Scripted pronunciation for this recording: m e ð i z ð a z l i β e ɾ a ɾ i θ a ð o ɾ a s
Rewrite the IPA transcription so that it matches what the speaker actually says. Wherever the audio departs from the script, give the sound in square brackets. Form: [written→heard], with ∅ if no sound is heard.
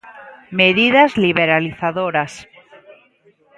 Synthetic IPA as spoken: m e ð i [z→∅] ð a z l i β e ɾ a [ɾ→l] i θ a ð o ɾ a s